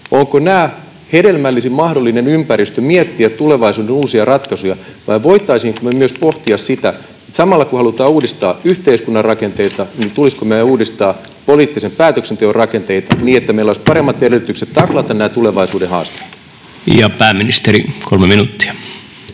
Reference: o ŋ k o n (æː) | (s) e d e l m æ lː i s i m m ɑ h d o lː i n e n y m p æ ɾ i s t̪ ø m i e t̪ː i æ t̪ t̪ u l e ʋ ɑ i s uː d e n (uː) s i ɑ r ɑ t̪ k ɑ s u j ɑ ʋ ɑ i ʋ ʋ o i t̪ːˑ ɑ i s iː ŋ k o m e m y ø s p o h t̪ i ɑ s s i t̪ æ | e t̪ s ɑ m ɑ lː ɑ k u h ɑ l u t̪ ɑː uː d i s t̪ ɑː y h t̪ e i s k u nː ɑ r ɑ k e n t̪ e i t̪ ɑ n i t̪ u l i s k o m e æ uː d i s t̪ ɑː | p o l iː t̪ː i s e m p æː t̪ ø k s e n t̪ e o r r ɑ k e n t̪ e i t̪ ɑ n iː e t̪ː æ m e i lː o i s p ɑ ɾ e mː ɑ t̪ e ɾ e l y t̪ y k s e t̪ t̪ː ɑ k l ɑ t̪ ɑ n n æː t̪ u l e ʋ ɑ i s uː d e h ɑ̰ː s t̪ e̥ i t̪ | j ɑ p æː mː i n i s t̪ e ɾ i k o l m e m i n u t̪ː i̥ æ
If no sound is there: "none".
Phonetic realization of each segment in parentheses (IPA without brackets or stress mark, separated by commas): æː, h, uː